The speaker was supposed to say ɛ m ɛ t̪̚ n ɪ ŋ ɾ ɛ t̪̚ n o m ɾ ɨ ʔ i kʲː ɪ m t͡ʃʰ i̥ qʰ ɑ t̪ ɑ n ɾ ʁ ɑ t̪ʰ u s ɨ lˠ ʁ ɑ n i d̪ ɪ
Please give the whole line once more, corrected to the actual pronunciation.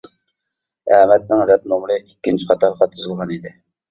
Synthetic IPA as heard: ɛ m ɛ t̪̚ n ɪ ŋ ɾ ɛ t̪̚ n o m ɾ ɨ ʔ i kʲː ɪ n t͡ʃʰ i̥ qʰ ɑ t̪ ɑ ɾ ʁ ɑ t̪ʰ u z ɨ lˠ ʁ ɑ n i d̪ ɪ